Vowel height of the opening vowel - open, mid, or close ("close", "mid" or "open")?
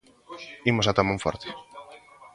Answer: close